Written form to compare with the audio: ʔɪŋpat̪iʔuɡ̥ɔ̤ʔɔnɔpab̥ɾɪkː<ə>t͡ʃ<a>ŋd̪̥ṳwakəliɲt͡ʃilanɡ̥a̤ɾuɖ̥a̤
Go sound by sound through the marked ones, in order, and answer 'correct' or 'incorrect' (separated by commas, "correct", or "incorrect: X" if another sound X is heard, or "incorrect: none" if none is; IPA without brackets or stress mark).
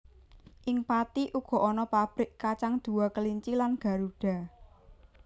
incorrect: a, correct